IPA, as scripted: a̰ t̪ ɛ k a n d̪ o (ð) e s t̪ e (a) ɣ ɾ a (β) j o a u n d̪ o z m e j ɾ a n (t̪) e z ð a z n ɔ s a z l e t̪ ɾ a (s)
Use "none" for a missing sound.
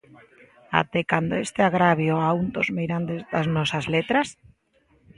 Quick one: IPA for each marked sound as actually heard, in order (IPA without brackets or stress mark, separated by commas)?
none, a, β, d̪, s